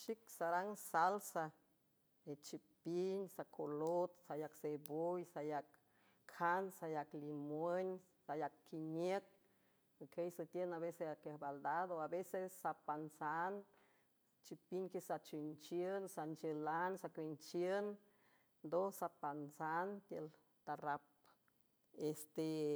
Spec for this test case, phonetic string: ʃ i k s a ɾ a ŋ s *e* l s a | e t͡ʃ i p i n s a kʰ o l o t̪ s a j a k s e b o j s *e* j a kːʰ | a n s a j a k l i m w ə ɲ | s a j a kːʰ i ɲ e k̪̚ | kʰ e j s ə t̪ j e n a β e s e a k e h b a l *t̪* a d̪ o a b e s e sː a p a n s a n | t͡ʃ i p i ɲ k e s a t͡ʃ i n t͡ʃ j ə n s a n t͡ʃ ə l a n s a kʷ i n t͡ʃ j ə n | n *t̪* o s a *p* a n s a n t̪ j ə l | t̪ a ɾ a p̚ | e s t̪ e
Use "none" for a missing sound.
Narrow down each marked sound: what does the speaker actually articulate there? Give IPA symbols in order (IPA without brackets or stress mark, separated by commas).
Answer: a, a, d̪, d̪, p